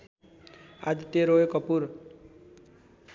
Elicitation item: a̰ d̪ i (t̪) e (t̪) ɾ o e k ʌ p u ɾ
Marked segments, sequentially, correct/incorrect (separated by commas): correct, incorrect